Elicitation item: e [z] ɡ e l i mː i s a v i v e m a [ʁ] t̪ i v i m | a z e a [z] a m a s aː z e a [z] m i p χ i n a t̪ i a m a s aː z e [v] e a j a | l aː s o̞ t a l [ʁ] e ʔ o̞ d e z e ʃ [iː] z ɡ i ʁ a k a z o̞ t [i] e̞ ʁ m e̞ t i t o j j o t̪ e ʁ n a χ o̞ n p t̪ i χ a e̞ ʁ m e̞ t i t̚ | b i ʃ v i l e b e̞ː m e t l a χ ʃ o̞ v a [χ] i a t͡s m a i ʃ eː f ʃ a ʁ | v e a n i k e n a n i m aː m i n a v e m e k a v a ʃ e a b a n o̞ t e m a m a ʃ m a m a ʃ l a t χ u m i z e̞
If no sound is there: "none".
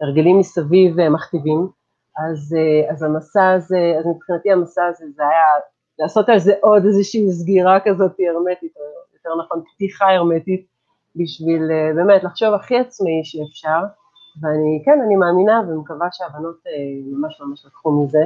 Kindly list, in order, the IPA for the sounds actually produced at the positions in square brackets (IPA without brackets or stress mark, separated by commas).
ʁ, χ, z, z, z, z, iː, i, χ